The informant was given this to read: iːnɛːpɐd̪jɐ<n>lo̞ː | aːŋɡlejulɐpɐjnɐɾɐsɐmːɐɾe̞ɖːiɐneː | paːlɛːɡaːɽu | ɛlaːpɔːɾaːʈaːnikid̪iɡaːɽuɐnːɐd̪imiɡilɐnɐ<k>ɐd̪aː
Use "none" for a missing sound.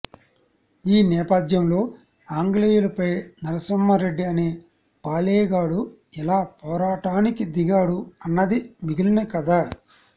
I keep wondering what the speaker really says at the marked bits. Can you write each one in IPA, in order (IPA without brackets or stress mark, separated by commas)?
m, k